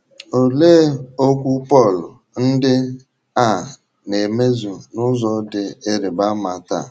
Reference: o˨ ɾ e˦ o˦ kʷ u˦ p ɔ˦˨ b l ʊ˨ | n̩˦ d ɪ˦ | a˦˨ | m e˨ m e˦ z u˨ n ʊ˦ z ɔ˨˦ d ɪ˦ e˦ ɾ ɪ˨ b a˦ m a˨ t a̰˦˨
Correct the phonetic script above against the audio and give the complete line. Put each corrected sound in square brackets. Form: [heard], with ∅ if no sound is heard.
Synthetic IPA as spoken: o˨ [l] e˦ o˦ kʷ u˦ p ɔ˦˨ [∅] l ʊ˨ | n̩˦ d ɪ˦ | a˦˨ | [n] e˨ m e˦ z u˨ n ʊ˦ z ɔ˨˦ d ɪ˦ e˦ ɾ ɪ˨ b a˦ m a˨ t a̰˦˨